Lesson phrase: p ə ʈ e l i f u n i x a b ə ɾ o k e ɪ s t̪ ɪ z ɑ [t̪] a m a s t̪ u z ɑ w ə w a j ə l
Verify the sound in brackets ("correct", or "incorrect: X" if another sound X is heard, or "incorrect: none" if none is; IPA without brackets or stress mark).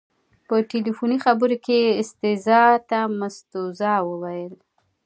correct